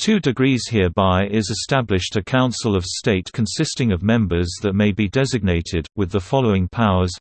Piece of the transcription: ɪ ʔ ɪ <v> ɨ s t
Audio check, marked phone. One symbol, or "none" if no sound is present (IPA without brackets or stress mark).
z